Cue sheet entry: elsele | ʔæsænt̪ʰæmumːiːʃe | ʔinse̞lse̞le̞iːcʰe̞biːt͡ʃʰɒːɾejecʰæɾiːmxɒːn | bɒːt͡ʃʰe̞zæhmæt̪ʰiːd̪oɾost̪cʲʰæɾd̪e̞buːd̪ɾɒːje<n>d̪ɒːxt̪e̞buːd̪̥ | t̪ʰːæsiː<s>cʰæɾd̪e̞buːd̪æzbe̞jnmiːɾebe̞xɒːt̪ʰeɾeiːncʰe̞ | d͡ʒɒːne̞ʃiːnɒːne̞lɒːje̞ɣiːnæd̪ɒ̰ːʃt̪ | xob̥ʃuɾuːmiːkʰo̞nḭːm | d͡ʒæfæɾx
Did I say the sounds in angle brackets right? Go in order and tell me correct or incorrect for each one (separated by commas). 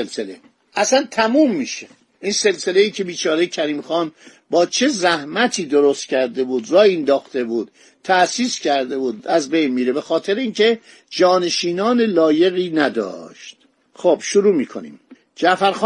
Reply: correct, correct